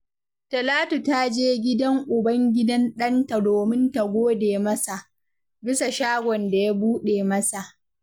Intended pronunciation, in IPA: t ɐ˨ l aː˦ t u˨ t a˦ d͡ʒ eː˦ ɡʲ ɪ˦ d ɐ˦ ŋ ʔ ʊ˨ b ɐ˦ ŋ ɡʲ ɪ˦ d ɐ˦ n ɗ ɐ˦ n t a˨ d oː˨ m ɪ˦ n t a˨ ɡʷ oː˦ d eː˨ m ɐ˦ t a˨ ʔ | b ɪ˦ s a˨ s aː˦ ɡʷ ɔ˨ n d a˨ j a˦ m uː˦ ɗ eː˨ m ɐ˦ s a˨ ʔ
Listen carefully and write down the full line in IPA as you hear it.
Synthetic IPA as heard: t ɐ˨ l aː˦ t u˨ t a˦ d͡ʒ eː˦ ɡʲ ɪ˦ d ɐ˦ ŋ ʔ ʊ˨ b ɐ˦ ŋ ɡʲ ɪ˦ d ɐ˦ n ɗ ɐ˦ n t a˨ d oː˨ m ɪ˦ n t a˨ ɡʷ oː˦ d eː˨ m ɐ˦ s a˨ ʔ | b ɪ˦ s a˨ ʃ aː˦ ɡʷ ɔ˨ n d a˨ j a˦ b uː˦ ɗ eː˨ m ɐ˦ s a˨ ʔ